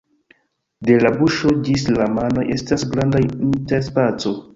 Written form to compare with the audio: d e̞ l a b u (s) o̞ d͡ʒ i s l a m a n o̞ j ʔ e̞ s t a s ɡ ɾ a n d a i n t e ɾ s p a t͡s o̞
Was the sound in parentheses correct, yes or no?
no